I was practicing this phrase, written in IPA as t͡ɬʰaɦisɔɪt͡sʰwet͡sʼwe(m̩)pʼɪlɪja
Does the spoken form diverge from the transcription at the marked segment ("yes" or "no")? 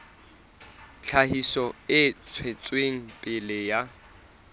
yes